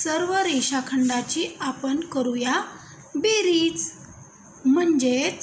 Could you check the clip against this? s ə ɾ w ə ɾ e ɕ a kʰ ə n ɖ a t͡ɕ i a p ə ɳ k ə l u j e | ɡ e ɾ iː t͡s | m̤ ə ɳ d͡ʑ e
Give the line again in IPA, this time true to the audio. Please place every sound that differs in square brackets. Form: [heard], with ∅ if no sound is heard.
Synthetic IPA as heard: s ə ɾ [ʋ] ə ɾ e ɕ a kʰ ə [ɳ] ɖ a t͡ɕ i a p ə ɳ k ə [ɾ] u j [a] | [b] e ɾ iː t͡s | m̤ ə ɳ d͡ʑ e

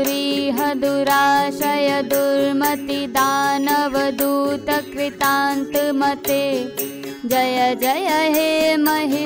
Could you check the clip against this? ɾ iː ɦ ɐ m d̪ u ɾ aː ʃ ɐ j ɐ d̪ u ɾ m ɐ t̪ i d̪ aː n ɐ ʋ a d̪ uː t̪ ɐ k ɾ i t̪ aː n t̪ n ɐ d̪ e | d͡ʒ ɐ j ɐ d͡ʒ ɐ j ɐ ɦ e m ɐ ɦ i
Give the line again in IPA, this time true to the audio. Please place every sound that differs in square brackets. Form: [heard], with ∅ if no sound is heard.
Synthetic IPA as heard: ɾ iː ɦ ɐ [∅] d̪ u ɾ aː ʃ ɐ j ɐ d̪ u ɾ m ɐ t̪ i d̪ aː n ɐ ʋ [ɐ] d̪ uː t̪ ɐ k ɾ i t̪ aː n t̪ [m] ɐ [t̪] e | d͡ʒ ɐ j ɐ d͡ʒ ɐ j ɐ ɦ e m ɐ ɦ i

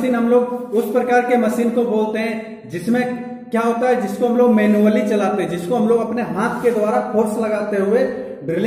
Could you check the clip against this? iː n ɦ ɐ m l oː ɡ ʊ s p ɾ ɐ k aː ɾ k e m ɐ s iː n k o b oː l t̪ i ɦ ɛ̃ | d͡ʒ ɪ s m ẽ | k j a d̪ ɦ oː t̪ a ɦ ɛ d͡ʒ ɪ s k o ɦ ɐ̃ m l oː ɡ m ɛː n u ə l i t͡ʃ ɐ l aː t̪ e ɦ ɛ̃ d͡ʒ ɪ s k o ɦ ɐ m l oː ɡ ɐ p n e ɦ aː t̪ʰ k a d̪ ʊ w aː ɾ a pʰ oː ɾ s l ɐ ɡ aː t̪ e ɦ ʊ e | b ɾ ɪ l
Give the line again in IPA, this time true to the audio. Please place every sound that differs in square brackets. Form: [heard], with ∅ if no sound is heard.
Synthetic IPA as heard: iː n ɦ ɐ m l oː ɡ ʊ s p ɾ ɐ k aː ɾ k e m ɐ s iː n k o b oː l t̪ [e] ɦ ɛ̃ | d͡ʒ ɪ s m ẽ | k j a [∅] ɦ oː t̪ a ɦ ɛ d͡ʒ ɪ s k o ɦ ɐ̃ m l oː ɡ m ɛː n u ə l i t͡ʃ ɐ l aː t̪ e ɦ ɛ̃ d͡ʒ ɪ s k o ɦ ɐ m l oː ɡ ɐ p n e ɦ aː t̪ʰ k [e] d̪ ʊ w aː ɾ a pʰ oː ɾ s l ɐ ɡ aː t̪ e ɦ ʊ e | b ɾ ɪ l

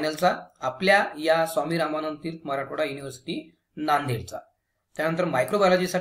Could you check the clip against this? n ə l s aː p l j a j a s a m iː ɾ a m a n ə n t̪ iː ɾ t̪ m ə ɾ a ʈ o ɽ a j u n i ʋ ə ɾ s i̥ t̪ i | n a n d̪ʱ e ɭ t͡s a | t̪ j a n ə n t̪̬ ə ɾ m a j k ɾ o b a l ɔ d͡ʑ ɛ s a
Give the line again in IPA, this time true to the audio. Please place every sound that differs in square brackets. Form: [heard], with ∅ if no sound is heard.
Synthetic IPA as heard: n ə l [t͡s] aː p l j a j a s a m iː ɾ a m a n ə n t̪ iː ɾ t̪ m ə ɾ a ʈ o ɽ a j u n i ʋ ə ɾ s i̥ t̪ i | n a n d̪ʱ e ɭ t͡s a | t̪ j a n ə n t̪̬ ə ɾ m a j k ɾ o b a l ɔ d͡ʑ [i] s a

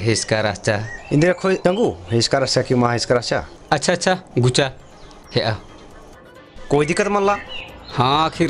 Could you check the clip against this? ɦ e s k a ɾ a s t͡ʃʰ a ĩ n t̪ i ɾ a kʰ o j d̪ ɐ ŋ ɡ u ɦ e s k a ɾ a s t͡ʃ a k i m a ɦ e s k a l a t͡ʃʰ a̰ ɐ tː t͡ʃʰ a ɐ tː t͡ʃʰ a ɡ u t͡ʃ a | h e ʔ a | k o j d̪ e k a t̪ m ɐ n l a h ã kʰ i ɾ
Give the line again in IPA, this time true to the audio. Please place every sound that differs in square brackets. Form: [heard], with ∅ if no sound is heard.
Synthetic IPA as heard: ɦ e s k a ɾ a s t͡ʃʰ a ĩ n [d̪] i ɾ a kʰ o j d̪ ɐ ŋ ɡ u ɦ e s k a ɾ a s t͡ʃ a k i m a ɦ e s k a [ɾ] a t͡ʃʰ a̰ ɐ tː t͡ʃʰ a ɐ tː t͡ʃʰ a ɡ u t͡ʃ a | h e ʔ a | k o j d̪ [i] k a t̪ m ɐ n l a h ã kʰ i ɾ

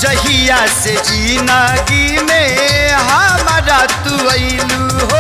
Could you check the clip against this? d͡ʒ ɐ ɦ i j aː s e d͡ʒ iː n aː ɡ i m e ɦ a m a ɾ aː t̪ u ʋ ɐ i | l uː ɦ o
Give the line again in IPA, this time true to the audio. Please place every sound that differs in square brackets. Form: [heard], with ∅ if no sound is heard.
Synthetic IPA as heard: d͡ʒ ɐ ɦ i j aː s e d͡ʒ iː n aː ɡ i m e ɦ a m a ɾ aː t̪ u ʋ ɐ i | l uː ɦ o

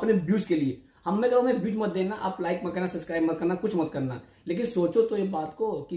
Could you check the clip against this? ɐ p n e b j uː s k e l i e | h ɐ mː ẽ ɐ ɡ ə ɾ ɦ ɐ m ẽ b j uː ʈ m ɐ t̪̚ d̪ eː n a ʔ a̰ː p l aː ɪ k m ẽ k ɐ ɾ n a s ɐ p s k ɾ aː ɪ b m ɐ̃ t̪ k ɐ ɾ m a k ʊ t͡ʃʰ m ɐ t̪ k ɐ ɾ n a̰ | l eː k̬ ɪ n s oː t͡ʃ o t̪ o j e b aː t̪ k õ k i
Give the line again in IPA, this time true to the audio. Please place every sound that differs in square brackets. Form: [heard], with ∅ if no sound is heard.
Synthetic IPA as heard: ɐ p n e b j uː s k e l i e | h ɐ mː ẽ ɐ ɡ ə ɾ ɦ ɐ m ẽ b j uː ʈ m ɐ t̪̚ d̪ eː n a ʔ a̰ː p l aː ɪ k m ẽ k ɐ ɾ n a s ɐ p s k ɾ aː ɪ b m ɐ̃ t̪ k ɐ ɾ [n] a k ʊ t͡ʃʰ m ɐ t̪ k ɐ ɾ n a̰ | l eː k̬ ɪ n s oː t͡ʃ o t̪ o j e b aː t̪ k [o] k i

